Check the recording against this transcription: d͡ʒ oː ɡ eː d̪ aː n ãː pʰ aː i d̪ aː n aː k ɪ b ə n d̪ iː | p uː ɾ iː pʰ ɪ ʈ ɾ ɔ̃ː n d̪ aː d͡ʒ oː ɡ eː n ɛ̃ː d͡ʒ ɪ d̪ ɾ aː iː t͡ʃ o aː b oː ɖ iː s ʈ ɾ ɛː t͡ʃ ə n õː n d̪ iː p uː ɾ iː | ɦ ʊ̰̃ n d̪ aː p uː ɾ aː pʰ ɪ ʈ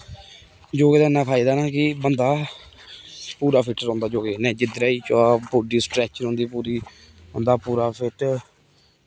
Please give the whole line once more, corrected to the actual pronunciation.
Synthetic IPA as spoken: d͡ʒ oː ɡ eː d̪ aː n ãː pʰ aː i d̪ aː n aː k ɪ b ə n d̪ aː | p uː ɾ aː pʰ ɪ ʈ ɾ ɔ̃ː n d̪ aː d͡ʒ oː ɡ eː n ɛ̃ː d͡ʒ ɪ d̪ ɾ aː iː t͡ʃ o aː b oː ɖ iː s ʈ ɾ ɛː t͡ʃ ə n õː n d̪ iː p uː ɾ iː | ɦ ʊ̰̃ n d̪ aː p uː ɾ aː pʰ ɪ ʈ

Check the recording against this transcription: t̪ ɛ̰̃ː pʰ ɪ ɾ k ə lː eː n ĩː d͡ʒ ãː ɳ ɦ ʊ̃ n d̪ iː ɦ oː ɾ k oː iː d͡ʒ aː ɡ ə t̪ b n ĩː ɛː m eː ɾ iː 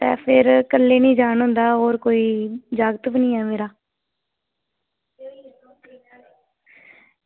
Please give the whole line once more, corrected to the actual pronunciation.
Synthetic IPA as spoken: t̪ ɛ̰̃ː pʰ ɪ ɾ k ə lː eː n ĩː d͡ʒ aː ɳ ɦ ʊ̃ n d̪ aː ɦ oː ɾ k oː iː d͡ʒ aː ɡ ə t̪ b n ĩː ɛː m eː ɾ aː

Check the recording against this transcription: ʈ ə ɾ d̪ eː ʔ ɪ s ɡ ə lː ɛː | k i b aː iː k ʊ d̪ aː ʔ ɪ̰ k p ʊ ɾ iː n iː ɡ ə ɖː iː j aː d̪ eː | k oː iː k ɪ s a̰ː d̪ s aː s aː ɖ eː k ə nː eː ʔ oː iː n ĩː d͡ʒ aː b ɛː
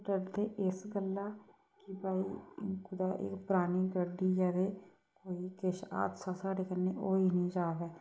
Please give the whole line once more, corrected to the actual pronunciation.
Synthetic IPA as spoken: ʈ ə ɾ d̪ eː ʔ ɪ s ɡ ə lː aː | k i b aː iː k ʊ d̪ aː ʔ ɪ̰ k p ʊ ɾ aː n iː ɡ ə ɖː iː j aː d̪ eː | k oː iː k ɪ ʃ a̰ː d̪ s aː s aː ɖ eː k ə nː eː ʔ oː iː n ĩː d͡ʒ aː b ɛː

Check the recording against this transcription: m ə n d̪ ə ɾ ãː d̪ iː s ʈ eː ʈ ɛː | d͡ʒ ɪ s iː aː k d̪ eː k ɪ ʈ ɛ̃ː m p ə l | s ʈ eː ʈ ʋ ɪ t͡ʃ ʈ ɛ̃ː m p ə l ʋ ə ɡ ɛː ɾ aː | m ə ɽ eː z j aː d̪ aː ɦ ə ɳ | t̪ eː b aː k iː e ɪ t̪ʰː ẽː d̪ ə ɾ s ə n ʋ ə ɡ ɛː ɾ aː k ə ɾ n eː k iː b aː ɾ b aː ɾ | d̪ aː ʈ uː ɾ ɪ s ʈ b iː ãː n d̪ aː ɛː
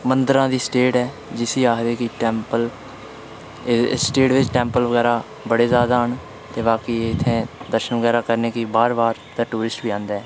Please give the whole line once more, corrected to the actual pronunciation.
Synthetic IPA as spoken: m ə n d̪ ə ɾ ãː d̪ iː s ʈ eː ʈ ɛː | d͡ʒ ɪ s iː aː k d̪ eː k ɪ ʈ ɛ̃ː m p ə l | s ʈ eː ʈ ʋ ɪ t͡ʃ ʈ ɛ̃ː m p ə l ʋ ə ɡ ɛː ɾ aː | b ə ɽ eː z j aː d̪ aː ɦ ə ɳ | t̪ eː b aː k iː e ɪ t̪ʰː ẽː d̪ ə ɾ ʃ ə n ʋ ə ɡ ɛː ɾ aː k ə ɾ n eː k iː b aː ɾ b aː ɾ | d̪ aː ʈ uː ɾ ɪ s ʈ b iː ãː n d̪ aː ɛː

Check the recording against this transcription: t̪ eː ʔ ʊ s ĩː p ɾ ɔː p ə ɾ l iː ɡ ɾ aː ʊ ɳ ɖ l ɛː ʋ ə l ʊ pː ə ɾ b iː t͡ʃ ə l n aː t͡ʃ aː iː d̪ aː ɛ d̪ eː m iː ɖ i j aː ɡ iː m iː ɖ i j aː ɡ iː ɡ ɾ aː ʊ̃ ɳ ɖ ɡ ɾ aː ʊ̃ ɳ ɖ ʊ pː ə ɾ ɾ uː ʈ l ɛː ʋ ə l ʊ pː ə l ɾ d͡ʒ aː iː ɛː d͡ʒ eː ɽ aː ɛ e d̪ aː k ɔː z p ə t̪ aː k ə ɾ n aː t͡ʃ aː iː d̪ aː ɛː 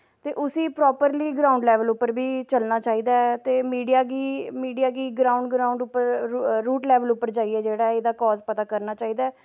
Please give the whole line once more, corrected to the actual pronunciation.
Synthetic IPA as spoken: t̪ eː ʔ ʊ s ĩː p ɾ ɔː p ə ɾ l iː ɡ ɾ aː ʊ ɳ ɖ l ɛː ʋ ə l ʊ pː ə ɾ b iː t͡ʃ ə l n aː t͡ʃ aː iː d̪ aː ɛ t̪ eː m iː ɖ i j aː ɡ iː m iː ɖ i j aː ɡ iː ɡ ɾ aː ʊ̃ ɳ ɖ ɡ ɾ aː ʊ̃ ɳ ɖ ʊ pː ə ɾ ɾ uː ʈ l ɛː ʋ ə l ʊ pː ə ɾ d͡ʒ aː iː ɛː d͡ʒ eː ɽ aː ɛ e d̪ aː k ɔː z p ə t̪ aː k ə ɾ n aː t͡ʃ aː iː d̪ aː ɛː

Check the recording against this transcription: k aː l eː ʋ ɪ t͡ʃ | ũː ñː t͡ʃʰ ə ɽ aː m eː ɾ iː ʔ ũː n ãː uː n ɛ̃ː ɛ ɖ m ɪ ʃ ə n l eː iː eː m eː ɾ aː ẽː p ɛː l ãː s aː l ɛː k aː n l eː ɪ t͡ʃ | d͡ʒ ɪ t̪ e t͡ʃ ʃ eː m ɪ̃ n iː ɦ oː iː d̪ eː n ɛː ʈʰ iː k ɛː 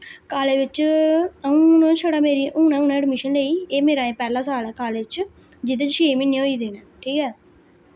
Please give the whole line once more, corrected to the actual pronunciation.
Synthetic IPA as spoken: k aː l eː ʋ ɪ t͡ʃ | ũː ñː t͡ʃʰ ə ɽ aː m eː ɾ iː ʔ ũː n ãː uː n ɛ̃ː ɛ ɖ m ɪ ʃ ə n l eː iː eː m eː ɾ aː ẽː p ɛː l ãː s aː l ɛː k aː l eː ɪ t͡ʃ | d͡ʒ ɪ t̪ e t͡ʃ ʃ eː m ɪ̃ n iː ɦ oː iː d̪ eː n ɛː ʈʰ iː k ɛː

